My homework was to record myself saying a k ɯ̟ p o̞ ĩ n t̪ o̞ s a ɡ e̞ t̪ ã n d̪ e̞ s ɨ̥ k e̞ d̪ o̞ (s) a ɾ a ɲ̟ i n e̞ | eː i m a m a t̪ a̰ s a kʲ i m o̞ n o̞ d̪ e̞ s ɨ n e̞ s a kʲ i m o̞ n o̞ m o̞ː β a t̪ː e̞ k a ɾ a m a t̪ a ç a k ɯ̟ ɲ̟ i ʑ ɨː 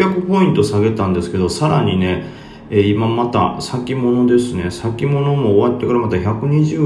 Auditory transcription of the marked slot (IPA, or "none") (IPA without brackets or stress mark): s